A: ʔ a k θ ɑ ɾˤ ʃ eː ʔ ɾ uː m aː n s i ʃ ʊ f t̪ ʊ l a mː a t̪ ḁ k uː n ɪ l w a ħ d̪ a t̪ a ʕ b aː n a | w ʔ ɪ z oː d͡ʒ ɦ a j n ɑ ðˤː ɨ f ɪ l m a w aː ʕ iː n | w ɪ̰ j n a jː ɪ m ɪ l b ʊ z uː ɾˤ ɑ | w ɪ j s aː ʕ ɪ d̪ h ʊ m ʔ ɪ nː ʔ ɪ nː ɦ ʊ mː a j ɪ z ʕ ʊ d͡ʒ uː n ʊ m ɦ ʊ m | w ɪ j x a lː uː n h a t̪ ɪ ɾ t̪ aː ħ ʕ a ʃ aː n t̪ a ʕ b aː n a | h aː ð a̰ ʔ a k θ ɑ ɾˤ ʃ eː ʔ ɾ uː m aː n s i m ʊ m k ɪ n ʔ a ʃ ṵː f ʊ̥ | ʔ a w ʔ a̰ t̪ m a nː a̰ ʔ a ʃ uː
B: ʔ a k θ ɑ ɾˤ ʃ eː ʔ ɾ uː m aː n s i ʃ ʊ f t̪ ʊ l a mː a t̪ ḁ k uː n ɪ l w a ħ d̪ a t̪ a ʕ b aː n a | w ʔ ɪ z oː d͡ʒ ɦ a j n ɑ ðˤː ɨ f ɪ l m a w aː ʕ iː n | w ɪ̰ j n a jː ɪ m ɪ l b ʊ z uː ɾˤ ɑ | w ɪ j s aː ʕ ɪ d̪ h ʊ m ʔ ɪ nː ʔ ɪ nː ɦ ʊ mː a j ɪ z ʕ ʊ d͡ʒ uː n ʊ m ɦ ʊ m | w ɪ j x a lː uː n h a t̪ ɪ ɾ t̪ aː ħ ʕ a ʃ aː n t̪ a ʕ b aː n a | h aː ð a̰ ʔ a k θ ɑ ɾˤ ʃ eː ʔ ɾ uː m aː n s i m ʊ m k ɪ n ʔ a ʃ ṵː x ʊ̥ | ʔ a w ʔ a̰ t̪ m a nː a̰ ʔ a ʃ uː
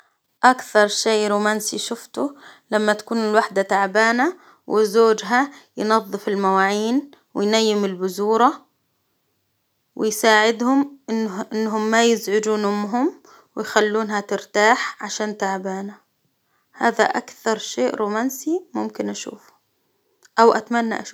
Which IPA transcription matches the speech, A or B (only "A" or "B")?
A